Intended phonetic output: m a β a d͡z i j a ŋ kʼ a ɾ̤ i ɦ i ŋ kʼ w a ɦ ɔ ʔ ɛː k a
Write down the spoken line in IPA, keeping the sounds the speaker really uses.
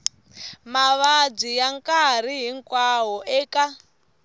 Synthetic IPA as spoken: m a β a d͡z i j a ŋ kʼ a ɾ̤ i ɦ i ŋ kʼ w a ɦ ɔ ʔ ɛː k a

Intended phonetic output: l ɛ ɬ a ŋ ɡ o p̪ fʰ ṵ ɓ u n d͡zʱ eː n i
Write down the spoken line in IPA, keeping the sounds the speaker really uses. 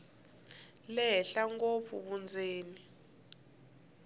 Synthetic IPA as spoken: l ɛ ɬ a ŋ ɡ o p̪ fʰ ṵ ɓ u n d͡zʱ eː n i

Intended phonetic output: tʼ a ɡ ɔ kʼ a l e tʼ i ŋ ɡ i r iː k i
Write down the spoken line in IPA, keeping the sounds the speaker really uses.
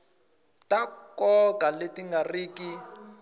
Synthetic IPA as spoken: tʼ a k ɔ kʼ a l e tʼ i ŋ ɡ a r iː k i

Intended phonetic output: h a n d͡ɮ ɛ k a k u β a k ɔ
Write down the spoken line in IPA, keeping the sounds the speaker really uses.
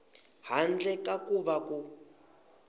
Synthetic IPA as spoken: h a n d͡ɮ ɛ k a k u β a k u

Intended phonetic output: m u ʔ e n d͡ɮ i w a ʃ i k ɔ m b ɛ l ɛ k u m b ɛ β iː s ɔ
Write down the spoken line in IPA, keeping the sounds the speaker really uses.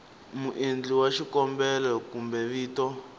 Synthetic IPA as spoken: m u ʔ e n d͡ɮ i w a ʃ i k ɔ m b ɛ l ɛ k u m b ɛ β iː t ɔ

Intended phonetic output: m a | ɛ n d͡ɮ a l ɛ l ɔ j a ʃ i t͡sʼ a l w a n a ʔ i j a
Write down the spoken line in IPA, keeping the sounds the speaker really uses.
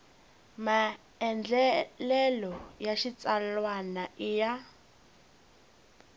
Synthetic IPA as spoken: m a | ɛ n d͡ɮ ɛ l ɛ l ɔ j a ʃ i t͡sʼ a l w a n a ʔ i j a

